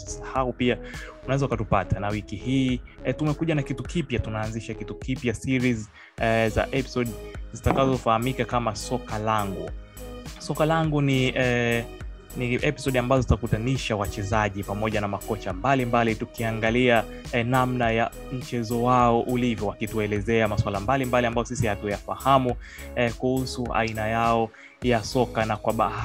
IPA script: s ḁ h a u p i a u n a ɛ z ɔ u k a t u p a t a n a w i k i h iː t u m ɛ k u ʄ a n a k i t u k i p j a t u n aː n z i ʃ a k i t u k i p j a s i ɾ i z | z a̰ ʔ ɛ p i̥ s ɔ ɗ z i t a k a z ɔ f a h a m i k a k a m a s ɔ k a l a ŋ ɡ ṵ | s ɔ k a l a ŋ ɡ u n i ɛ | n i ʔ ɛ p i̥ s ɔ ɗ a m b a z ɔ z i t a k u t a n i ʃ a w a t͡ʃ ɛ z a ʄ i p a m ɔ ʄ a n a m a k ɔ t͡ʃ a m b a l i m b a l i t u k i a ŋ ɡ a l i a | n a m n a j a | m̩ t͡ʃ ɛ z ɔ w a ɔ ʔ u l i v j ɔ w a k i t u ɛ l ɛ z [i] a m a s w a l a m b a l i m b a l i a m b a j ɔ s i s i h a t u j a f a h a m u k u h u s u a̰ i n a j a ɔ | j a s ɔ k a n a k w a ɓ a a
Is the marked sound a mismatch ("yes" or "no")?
yes